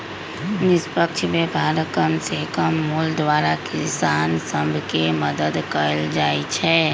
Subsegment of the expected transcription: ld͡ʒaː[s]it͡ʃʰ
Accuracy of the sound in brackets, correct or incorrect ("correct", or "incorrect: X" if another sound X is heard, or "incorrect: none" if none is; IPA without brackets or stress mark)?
incorrect: none